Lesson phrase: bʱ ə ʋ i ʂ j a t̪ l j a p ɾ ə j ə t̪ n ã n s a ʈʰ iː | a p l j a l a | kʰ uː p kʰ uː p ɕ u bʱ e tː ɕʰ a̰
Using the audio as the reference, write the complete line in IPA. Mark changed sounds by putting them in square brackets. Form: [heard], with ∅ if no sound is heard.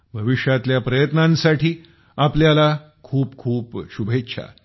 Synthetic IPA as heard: bʱ ə ʋ i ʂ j a t̪ l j a p ɾ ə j ə t̪ n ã n s a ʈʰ iː | a p l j a l a | kʰ uː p kʰ uː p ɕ u bʱ e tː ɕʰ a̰